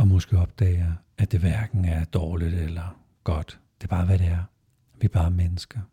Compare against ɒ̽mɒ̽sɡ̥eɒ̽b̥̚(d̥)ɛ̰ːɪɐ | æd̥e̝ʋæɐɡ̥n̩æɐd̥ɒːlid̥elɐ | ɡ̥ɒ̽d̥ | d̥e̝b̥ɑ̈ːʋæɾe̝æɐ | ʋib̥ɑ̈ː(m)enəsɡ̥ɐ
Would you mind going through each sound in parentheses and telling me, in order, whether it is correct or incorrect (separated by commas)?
correct, correct